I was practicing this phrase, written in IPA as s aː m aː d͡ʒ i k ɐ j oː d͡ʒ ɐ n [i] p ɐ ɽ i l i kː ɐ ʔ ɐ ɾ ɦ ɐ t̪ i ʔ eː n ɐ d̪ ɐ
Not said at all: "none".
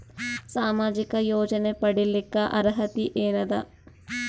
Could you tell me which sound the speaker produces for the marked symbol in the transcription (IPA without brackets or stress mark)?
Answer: e